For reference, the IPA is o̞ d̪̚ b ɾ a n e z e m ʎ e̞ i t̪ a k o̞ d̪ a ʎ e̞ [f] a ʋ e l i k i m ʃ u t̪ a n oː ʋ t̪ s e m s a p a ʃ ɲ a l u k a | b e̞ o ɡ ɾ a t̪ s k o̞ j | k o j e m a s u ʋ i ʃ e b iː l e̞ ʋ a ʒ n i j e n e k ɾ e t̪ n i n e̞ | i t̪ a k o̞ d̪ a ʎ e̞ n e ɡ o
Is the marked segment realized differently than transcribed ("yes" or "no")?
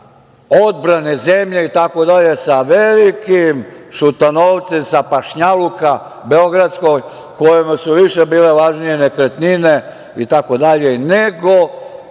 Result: yes